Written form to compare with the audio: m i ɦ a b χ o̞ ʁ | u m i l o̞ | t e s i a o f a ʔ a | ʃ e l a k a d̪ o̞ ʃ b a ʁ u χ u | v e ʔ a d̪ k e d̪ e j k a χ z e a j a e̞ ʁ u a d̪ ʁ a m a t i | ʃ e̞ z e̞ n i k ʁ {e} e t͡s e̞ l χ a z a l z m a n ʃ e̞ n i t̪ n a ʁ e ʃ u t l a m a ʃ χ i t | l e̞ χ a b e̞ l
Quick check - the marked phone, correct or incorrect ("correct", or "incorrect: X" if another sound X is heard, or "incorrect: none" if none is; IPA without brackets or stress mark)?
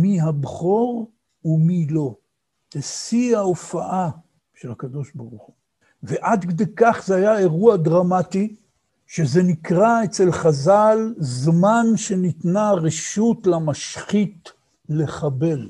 incorrect: a